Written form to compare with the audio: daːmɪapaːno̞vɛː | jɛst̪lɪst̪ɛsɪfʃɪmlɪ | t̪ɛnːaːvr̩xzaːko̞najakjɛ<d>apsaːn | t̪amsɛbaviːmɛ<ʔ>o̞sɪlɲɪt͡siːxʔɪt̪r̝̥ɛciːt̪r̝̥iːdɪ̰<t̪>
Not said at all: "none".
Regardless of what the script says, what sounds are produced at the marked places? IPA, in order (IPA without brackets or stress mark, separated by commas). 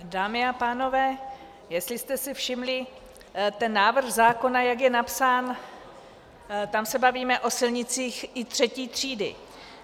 n, ʔ, none